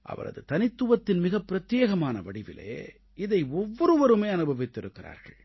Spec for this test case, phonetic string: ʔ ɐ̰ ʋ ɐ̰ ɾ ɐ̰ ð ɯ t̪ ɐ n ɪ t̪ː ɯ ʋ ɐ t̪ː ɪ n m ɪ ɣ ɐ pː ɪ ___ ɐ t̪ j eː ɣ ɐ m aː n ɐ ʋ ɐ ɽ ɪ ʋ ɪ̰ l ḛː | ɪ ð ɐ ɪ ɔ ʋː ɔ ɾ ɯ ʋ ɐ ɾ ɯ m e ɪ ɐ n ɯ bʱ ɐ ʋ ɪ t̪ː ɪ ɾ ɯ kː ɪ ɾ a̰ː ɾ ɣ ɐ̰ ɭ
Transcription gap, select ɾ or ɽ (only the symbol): ɾ